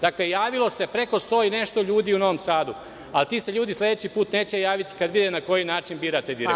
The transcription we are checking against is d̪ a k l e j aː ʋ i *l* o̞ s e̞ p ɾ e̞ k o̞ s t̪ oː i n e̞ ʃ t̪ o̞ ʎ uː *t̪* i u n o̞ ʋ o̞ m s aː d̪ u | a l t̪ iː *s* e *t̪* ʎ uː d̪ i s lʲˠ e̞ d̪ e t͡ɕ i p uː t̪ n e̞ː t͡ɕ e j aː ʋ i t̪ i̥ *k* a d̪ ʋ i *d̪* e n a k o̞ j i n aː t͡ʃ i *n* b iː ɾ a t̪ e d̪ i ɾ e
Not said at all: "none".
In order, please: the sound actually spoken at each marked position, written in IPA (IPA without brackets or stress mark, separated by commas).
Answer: l, d̪, s, none, k, d̪, n